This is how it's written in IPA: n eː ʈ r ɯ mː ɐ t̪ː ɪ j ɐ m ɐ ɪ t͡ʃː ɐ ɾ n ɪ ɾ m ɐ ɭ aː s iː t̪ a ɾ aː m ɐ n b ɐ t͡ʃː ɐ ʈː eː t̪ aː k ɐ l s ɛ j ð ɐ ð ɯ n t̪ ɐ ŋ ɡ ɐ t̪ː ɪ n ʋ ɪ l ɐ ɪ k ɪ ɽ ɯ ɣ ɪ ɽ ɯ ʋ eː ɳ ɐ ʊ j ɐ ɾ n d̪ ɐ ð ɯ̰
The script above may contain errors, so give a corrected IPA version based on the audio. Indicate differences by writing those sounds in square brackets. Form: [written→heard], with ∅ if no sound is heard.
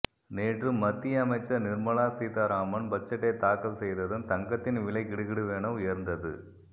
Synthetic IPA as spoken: n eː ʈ r ɯ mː ɐ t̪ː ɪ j ɐ m ɐ ɪ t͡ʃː ɐ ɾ n ɪ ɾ m ɐ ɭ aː s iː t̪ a ɾ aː m ɐ n b ɐ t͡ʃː ɐ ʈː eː t̪ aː k ɐ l s ɛ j ð ɐ ð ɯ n t̪ ɐ ŋ ɡ ɐ t̪ː ɪ n ʋ ɪ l ɐ ɪ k ɪ ɽ ɯ ɣ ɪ ɽ ɯ ʋ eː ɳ ɐ ʊ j ɐ ɾ n d̪ ɐ ð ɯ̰